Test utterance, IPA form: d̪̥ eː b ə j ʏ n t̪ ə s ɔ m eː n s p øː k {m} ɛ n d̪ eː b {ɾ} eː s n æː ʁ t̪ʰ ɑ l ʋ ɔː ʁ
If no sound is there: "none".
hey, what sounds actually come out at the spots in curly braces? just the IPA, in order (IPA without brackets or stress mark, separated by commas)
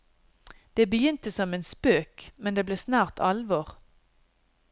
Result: m, l